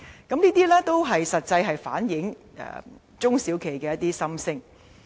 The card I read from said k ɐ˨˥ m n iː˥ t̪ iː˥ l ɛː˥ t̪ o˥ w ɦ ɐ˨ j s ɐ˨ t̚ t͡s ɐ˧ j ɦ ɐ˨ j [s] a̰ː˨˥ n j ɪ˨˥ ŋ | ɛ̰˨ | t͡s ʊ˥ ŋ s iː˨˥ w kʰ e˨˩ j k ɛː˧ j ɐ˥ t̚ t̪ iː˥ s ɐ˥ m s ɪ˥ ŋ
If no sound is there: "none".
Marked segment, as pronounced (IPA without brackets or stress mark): f